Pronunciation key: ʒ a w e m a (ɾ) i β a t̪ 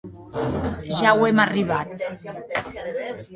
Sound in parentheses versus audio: incorrect: r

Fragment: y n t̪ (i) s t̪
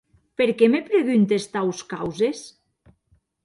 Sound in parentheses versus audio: incorrect: e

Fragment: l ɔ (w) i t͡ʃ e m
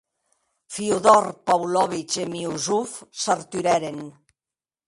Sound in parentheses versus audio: incorrect: β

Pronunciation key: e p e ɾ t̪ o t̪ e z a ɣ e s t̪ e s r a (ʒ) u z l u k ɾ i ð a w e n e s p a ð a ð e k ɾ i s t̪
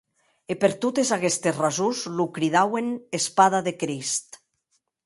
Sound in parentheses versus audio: incorrect: z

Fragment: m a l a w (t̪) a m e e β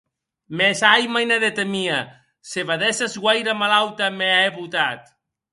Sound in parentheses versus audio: correct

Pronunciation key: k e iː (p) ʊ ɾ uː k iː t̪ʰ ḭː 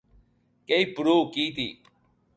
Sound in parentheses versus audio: correct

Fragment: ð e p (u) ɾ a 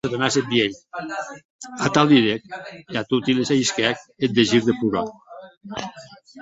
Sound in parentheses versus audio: correct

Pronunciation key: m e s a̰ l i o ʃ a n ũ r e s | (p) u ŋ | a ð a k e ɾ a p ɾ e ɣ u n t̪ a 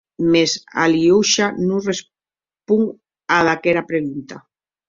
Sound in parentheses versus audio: correct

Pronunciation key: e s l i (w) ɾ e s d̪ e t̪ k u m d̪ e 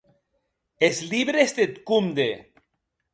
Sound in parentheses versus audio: incorrect: β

